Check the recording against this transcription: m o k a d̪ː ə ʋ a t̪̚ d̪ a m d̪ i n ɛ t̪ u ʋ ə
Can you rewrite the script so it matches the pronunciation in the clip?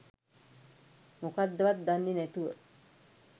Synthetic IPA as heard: m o k a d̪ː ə ʋ a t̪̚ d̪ a n d̪ i n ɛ t̪ u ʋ ə